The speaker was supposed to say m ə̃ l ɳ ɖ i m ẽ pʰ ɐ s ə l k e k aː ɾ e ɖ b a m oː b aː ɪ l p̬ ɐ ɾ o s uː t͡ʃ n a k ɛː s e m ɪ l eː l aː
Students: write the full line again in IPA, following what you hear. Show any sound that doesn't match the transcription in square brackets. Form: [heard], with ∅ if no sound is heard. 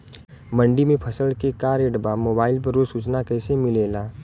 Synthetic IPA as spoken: m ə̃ [∅] ɳ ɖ i m ẽ pʰ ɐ s ə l k e k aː ɾ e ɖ b a m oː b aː ɪ l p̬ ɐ ɾ o s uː t͡ʃ n a k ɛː s e m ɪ l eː l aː